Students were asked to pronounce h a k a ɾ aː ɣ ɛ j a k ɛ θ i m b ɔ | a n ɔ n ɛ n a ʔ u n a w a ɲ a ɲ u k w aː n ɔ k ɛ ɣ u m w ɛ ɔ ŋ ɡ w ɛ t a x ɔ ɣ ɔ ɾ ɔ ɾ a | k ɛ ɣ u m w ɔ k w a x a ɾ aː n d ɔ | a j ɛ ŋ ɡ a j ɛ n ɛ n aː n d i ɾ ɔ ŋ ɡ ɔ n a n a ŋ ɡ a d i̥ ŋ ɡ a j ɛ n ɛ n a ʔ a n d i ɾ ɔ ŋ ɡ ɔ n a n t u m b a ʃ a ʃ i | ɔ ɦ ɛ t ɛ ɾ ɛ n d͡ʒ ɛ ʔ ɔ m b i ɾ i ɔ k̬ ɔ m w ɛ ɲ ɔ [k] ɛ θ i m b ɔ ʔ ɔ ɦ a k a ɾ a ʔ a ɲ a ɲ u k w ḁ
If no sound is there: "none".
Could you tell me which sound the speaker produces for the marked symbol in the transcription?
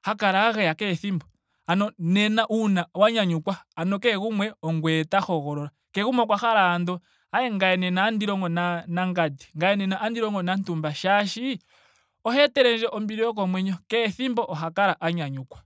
k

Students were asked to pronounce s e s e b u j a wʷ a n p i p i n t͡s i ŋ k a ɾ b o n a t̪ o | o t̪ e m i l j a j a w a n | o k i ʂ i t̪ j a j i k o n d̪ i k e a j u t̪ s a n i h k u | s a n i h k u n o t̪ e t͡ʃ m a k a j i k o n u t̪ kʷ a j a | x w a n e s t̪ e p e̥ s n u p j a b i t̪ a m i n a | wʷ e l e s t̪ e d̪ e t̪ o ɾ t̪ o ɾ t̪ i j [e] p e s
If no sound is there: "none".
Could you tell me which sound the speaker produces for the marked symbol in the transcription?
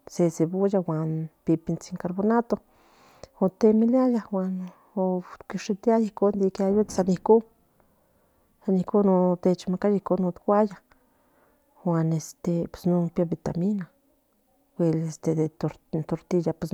a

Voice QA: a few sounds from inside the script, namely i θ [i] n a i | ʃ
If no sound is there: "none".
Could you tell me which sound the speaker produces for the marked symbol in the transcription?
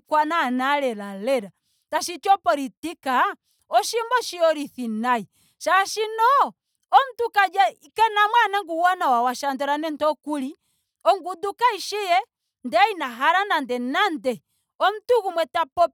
i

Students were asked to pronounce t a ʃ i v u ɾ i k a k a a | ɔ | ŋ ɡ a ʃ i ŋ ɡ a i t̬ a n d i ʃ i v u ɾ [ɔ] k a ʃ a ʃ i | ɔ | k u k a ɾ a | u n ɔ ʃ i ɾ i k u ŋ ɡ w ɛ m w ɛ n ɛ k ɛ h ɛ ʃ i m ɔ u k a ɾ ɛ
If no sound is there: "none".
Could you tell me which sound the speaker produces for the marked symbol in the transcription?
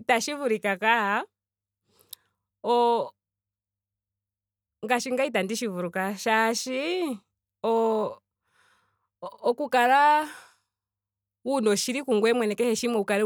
u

